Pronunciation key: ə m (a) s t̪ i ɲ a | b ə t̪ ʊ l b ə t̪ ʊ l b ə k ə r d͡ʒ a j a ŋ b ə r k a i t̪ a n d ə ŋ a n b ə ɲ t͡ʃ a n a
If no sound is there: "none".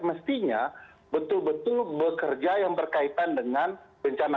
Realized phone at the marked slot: ə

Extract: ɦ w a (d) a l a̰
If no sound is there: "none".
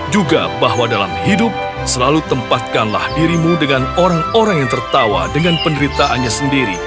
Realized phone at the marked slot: d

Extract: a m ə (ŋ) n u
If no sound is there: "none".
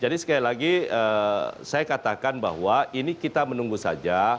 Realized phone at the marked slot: none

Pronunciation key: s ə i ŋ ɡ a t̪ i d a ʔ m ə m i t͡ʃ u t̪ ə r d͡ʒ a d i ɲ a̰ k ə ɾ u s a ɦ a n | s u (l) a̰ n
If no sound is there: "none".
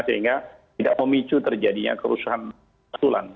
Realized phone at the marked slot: l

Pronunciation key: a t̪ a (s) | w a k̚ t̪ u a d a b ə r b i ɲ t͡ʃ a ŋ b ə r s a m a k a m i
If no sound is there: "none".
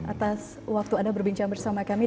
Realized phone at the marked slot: s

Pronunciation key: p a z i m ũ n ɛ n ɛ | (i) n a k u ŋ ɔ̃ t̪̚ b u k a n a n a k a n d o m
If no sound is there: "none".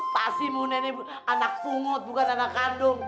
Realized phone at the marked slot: a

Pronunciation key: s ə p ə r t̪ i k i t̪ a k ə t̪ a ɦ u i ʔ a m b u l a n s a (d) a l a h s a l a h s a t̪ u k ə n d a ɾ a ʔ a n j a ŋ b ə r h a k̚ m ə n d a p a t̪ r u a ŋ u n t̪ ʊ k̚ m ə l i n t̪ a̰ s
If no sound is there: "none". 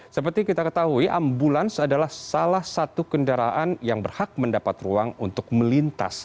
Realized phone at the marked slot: d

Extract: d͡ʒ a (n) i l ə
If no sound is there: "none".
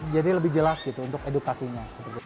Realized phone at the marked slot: d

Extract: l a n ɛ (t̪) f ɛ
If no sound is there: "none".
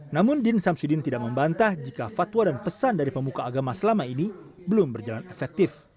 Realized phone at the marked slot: none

